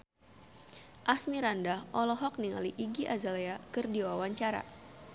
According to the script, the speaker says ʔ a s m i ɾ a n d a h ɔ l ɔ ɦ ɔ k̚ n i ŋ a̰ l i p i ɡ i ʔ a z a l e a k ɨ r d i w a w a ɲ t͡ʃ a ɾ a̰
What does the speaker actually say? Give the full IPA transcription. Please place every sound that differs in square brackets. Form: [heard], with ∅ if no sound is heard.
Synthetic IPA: ʔ a s m i ɾ a n d a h ɔ l ɔ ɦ ɔ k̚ n i ŋ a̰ l i [ʔ] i ɡ i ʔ a z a l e a k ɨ r d i w a w a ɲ t͡ʃ a ɾ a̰

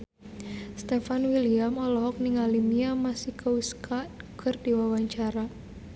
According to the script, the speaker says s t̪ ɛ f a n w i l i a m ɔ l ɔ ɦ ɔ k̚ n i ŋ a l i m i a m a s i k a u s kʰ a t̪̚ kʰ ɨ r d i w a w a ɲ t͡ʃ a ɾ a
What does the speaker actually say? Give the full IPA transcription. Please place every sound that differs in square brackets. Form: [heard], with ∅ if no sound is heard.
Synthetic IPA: s t̪ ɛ f a n w i l i a m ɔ l ɔ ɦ ɔ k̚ n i ŋ a l i m i a m a s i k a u s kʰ a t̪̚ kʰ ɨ r d i w a w a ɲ t͡ʃ a ɾ a

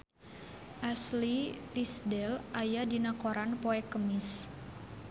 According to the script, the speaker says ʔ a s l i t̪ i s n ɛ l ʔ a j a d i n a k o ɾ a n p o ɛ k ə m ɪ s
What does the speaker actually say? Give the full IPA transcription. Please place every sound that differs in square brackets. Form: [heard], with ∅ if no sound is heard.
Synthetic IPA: ʔ a s l i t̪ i s [d] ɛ l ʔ a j a d i n a k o ɾ a n p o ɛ k ə m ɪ s

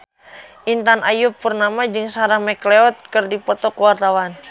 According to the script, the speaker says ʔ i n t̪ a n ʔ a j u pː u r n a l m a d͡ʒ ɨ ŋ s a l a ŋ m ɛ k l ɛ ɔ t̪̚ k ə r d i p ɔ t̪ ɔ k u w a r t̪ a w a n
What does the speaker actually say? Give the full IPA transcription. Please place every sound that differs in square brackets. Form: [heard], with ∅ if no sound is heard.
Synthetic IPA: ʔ i n t̪ a n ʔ a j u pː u r n a [∅] m a d͡ʒ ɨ ŋ s a [ɾ] a ŋ m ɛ k l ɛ ɔ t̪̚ k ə r d i p ɔ t̪ ɔ k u w a r t̪ a w a n

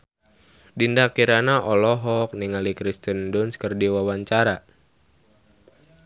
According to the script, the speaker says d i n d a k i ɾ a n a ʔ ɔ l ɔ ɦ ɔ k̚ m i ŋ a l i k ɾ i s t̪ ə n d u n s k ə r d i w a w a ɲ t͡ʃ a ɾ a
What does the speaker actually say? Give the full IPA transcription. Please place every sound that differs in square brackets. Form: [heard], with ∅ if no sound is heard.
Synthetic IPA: d i n d a k i ɾ a n a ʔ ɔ l ɔ ɦ ɔ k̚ [n] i ŋ a l i k ɾ i s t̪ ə n d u n s k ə r d i w a w a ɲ t͡ʃ a ɾ a

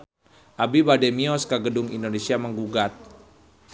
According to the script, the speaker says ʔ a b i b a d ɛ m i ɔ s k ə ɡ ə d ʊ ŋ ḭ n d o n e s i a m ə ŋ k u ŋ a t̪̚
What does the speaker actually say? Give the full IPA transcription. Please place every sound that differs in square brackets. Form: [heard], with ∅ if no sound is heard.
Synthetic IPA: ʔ a b i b a d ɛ m i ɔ s k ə ɡ ə d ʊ ŋ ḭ n d o n e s i a m ə ŋ [ɡ] u [ɡ] a t̪̚

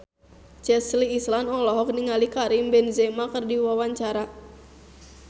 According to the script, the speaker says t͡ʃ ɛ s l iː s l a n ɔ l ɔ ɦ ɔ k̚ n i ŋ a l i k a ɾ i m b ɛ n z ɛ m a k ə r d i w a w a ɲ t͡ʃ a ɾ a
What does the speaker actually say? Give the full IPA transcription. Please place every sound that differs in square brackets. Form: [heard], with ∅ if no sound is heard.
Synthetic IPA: t͡ʃ ɛ s l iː s l a n ɔ l ɔ ɦ ɔ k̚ n i ŋ a l i k a ɾ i m b ɛ n z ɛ m a k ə r d i w a w a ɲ t͡ʃ a ɾ a

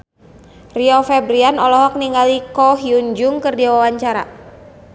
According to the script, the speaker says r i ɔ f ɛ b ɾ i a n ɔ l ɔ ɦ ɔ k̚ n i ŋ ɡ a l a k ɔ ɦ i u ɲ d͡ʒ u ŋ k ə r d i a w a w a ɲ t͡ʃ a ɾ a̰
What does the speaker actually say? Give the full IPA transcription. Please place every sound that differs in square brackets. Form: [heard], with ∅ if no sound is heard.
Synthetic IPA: r i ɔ f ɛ b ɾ i a n ɔ l ɔ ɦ ɔ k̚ n i ŋ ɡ a l [i] k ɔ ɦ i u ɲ d͡ʒ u ŋ k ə r d i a w a w a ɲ t͡ʃ a ɾ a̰

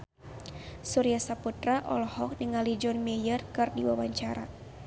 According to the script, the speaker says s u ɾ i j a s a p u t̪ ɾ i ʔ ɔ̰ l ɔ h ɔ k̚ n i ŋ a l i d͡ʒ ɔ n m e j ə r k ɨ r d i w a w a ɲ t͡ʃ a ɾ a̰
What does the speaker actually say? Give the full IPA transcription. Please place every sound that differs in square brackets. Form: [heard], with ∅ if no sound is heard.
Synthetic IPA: s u ɾ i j a s a p u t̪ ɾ [a] ʔ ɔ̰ l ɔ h ɔ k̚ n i ŋ a l i d͡ʒ ɔ n m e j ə r k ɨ r d i w a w a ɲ t͡ʃ a ɾ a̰

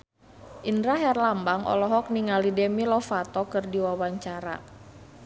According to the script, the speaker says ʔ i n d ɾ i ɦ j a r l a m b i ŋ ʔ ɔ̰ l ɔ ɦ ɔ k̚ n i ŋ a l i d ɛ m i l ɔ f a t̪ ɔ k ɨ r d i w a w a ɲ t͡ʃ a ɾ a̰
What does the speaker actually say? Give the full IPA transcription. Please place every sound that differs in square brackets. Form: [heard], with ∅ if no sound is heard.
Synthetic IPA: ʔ i n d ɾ [a] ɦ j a r l a m b [a] ŋ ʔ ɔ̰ l ɔ ɦ ɔ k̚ n i ŋ a l i d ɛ m i l ɔ f a t̪ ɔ k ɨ r d i w a w a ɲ t͡ʃ a ɾ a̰

